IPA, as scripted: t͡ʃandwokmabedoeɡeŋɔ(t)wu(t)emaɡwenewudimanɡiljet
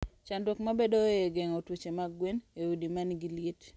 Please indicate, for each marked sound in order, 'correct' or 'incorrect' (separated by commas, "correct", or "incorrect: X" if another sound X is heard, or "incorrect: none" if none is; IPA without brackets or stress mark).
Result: correct, incorrect: t͡ʃ